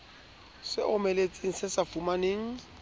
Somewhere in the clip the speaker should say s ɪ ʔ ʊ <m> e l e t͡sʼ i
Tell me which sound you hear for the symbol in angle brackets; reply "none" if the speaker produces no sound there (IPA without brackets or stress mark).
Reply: m